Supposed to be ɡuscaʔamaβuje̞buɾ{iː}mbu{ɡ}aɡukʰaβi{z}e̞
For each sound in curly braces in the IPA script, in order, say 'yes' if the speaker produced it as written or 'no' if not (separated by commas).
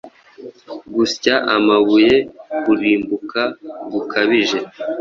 yes, no, no